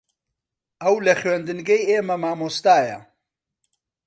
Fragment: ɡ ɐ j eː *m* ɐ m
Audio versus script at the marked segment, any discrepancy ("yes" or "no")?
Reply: no